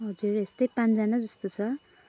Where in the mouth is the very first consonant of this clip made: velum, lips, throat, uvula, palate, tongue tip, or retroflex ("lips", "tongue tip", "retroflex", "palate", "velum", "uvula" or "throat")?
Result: throat